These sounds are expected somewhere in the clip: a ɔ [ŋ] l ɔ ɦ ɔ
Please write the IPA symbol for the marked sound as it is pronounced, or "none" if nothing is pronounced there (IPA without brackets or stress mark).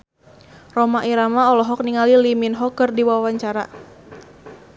none